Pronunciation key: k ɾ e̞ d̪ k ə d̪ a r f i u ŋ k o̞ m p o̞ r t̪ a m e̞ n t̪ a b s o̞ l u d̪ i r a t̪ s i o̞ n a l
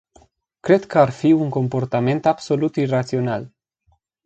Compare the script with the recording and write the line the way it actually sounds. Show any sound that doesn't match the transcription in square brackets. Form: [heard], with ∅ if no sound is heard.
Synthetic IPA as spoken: k ɾ e̞ d̪ k ə [∅] a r f i u ŋ k o̞ m p o̞ r t̪ a m e̞ n t̪ a b s o̞ l u [t̪] i r a t̪ s i o̞ n a l